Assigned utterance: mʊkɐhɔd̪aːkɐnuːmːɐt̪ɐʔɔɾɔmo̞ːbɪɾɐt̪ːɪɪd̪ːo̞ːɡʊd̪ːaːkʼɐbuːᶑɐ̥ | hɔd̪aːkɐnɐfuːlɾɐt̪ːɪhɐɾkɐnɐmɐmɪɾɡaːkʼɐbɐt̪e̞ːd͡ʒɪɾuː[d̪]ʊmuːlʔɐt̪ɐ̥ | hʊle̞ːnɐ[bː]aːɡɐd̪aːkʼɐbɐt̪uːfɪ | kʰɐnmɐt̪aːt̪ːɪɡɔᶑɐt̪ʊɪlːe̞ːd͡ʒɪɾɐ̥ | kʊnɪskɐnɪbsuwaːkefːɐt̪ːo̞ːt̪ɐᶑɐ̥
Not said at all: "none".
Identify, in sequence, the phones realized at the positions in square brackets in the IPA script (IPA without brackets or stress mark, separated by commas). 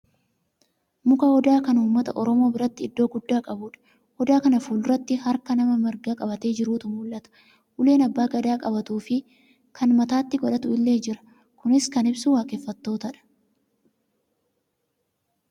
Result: t̪, bː